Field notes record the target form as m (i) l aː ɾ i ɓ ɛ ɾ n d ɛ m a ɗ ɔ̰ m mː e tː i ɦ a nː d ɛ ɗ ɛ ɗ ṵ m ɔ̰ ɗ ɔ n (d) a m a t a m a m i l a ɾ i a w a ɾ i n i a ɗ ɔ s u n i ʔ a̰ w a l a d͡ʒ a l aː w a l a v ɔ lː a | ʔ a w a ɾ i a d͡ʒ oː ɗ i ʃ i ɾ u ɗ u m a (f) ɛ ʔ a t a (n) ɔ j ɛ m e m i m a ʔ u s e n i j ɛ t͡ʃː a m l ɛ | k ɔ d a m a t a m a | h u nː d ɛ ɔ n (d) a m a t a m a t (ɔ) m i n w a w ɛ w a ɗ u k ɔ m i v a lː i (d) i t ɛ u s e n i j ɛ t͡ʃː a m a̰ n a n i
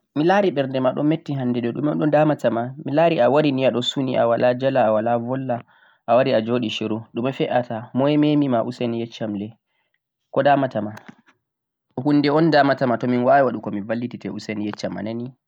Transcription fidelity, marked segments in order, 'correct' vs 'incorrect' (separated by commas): correct, correct, correct, incorrect, correct, correct, incorrect